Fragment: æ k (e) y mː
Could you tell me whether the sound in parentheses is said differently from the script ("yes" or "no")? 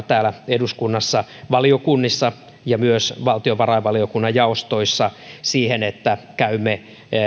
yes